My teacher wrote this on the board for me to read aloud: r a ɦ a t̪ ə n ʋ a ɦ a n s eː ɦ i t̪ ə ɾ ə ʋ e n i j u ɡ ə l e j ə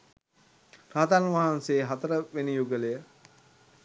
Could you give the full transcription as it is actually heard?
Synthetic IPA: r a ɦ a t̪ a n ʋ a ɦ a n s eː ɦ a t̪ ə ɾ ə ʋ e n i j u ɡ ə l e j ə